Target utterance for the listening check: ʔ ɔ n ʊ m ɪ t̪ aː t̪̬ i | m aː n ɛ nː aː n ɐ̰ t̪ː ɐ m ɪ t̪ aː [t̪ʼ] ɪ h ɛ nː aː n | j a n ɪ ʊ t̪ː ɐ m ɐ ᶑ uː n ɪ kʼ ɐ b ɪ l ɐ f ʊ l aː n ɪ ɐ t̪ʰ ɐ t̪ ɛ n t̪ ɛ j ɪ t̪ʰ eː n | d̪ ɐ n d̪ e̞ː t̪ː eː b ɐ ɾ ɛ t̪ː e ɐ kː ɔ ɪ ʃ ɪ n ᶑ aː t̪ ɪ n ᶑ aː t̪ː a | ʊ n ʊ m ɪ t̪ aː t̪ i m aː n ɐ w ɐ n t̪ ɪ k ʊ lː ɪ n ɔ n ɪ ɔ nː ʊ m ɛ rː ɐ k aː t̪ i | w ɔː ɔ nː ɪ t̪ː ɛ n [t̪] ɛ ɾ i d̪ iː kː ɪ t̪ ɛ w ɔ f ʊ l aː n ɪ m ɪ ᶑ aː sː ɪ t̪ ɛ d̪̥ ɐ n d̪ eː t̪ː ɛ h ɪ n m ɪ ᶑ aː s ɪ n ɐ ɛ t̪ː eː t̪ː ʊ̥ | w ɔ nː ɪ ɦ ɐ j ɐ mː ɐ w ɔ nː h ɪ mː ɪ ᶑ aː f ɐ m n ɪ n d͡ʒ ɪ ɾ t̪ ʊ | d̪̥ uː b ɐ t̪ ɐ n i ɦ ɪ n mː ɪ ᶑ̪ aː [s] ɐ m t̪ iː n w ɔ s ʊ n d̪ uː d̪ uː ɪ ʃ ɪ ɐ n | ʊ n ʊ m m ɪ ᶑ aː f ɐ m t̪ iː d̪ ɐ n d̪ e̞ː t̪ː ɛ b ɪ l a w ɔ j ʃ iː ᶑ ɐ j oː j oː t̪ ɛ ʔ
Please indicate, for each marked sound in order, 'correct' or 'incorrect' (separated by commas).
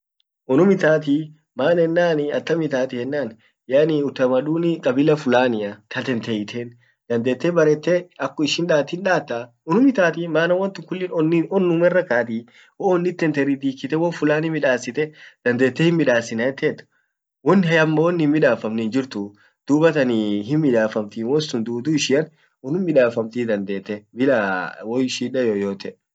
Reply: incorrect, correct, incorrect